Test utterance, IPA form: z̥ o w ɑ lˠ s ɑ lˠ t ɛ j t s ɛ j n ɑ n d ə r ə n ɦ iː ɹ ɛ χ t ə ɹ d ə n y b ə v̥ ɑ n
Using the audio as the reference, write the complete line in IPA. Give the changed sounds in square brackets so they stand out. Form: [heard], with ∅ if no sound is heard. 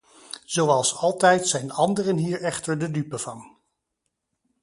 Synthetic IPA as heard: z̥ o w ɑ lˠ s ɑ lˠ t ɛ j t s ɛ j n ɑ n d ə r ə n ɦ iː ɹ ɛ χ t ə ɹ d ə [d] y [p] ə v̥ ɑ n